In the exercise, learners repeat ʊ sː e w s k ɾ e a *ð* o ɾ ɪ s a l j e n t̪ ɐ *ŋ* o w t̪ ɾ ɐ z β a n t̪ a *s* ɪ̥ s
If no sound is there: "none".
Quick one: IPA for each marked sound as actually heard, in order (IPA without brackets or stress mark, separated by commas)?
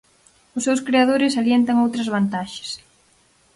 ð, ŋ, ʃ